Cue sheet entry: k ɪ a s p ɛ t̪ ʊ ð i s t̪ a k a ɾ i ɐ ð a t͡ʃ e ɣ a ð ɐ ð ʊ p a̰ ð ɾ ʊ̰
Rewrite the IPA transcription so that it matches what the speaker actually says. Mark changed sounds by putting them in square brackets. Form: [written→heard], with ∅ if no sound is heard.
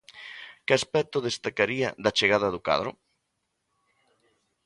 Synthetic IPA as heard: k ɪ a s p ɛ t̪ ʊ ð [i→e] s t̪ a k a ɾ i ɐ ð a t͡ʃ e ɣ a ð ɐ ð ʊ [p→k] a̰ ð ɾ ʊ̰